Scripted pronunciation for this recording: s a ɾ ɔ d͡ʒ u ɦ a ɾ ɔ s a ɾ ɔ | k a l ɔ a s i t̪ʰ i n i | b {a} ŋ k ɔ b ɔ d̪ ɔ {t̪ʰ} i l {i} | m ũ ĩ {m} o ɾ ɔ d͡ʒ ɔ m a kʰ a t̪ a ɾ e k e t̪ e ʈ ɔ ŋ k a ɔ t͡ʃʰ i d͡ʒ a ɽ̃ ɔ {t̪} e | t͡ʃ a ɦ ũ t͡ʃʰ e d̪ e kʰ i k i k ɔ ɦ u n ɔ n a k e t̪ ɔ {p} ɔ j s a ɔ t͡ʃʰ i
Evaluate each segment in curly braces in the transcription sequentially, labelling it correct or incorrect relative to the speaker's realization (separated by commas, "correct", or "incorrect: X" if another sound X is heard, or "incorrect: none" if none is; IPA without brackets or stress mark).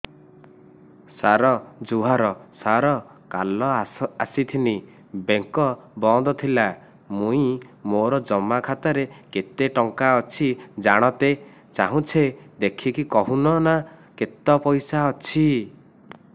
incorrect: e, correct, incorrect: a, correct, correct, correct